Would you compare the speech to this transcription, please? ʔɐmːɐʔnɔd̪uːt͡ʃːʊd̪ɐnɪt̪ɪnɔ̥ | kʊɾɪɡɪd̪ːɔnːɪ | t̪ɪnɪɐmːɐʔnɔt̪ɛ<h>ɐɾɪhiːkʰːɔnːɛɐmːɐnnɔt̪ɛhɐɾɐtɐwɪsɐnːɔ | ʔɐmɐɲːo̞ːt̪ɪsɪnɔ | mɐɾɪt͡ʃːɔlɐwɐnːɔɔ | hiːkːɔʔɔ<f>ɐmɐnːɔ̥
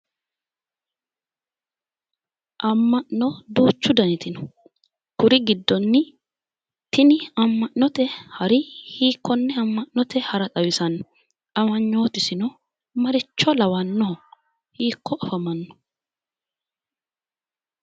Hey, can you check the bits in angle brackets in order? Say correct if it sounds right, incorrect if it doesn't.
correct, correct

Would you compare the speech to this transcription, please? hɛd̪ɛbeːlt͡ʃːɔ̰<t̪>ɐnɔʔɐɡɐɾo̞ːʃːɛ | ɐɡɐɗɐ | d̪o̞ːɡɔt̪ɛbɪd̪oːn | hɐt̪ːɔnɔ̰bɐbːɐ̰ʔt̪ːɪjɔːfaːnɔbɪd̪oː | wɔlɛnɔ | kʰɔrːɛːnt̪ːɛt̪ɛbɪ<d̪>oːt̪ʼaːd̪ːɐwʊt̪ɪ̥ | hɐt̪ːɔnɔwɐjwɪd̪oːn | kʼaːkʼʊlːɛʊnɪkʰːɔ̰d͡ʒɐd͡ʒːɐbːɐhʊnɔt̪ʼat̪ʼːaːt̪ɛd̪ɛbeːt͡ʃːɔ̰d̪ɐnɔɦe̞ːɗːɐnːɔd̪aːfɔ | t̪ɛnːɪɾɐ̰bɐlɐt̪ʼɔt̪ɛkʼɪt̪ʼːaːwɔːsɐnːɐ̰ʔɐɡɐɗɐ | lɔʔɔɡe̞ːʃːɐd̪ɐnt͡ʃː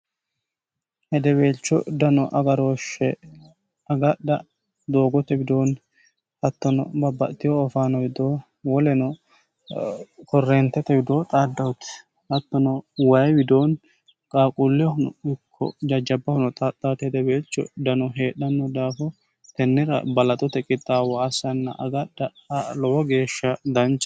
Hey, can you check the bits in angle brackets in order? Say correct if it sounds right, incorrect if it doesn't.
incorrect: d̪, correct

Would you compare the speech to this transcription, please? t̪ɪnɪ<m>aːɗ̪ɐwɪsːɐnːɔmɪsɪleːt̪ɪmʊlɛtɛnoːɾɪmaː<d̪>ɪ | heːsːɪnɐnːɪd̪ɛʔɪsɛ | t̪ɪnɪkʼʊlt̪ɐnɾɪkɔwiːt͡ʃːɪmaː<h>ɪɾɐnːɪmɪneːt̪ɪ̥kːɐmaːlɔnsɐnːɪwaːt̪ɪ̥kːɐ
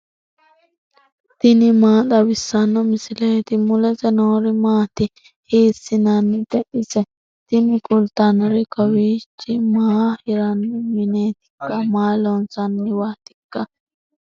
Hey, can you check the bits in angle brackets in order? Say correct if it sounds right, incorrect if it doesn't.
correct, incorrect: t̪, correct

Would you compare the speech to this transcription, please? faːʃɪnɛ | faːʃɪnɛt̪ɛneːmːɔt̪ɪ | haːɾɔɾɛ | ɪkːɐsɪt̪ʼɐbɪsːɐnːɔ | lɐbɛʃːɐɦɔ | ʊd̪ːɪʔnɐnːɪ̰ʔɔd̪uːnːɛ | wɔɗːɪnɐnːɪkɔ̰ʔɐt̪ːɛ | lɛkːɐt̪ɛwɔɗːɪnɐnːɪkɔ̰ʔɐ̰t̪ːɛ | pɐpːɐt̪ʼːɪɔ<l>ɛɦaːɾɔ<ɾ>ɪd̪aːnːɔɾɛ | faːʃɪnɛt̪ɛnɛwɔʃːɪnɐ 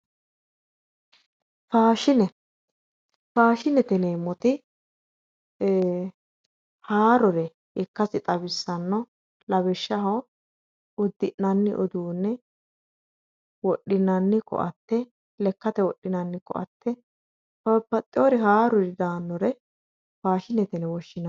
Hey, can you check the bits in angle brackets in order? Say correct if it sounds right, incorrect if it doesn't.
incorrect: ɾ, correct

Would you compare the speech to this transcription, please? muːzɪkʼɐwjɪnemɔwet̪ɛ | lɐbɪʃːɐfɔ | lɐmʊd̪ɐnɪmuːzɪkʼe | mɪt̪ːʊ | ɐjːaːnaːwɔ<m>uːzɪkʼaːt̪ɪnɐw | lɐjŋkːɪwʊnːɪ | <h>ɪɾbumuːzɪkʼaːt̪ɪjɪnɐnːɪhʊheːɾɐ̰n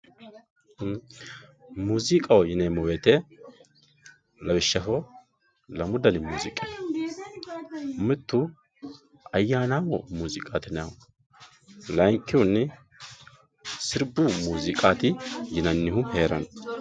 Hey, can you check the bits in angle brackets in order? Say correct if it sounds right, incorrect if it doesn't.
correct, incorrect: s

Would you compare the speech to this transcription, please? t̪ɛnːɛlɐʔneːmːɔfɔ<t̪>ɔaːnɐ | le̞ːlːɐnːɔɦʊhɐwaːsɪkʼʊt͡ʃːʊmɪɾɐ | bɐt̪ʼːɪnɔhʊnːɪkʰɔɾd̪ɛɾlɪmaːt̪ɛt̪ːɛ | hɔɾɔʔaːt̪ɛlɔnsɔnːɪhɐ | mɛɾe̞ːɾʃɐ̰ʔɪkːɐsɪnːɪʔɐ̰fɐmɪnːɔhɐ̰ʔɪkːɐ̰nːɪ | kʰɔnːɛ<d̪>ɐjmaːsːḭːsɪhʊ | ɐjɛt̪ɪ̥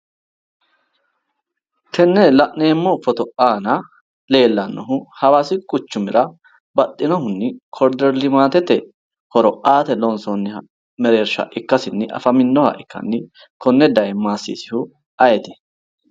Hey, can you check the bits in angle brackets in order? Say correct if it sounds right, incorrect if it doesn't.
correct, correct

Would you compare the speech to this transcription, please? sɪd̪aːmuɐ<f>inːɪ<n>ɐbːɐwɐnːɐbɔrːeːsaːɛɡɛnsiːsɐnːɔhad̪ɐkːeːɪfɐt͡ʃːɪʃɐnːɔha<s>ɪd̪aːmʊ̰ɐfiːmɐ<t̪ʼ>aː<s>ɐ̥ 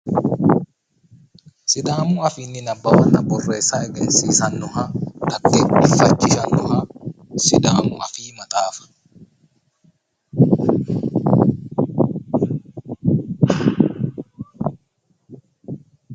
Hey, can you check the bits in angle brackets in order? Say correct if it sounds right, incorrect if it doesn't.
correct, correct, correct, correct, incorrect: f

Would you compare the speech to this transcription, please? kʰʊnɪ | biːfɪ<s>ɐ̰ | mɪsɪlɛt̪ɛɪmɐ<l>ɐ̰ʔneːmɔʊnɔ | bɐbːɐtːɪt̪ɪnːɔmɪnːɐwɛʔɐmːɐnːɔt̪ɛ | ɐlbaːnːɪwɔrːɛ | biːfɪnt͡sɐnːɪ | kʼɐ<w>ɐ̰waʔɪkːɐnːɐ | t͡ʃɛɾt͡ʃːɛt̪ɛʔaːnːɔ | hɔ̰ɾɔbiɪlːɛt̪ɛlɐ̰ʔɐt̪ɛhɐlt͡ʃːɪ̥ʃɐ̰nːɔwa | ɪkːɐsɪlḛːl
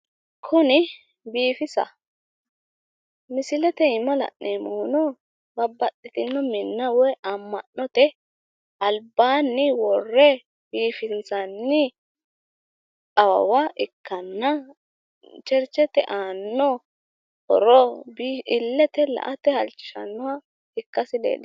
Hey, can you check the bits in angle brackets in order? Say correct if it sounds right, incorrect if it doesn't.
correct, correct, correct

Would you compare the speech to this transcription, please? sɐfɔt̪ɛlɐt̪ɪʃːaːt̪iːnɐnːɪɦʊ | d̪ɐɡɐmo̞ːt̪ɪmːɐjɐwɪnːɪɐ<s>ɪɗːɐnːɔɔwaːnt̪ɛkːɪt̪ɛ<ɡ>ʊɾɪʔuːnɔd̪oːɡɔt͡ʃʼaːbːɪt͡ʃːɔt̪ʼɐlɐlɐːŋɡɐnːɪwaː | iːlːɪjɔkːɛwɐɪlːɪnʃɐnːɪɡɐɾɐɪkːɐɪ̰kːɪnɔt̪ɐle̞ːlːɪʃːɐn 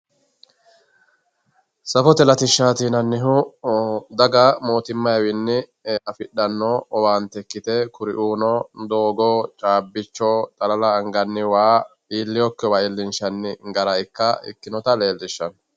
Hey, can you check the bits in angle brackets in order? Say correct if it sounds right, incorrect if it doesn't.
incorrect: f, incorrect: k

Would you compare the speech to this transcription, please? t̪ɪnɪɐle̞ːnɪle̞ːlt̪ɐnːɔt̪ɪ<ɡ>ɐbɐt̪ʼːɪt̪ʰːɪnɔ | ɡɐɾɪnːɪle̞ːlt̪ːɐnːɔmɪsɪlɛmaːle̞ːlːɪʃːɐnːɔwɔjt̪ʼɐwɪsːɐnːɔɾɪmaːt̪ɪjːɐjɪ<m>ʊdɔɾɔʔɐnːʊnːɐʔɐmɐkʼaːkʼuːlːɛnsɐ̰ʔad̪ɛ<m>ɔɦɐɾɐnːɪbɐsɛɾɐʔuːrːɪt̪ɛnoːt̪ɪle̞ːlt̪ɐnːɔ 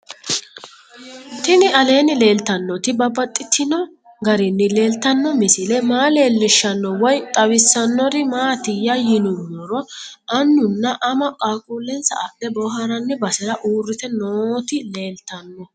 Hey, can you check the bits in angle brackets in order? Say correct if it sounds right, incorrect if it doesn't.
incorrect: b, incorrect: n, incorrect: b

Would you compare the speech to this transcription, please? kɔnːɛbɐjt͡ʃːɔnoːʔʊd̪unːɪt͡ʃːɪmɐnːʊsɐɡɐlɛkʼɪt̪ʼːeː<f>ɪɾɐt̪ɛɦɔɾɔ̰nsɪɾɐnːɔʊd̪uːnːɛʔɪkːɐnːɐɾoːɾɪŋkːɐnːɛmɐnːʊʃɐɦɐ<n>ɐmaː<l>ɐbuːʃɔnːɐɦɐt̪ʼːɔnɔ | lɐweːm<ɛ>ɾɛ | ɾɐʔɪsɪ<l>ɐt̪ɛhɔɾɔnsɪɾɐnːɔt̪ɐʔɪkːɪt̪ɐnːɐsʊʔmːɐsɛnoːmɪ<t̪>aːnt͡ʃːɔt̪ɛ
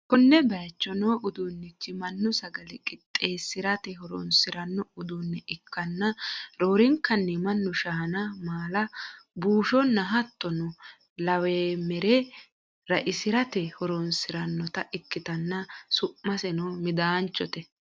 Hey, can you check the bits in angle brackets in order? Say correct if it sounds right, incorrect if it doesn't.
incorrect: s, correct, correct, correct, incorrect: ɾ, incorrect: d̪

